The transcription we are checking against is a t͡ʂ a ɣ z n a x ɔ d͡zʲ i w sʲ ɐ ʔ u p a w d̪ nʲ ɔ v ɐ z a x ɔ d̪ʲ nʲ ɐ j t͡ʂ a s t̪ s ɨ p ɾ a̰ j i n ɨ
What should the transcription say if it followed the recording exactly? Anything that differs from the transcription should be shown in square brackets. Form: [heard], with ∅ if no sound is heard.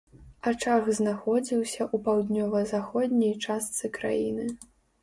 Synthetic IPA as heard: a t͡ʂ a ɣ z n a x ɔ d͡zʲ i w sʲ ɐ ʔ u p a w d̪ nʲ ɔ v ɐ z a x ɔ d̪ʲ nʲ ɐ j t͡ʂ a s t̪ s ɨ [k] ɾ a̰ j i n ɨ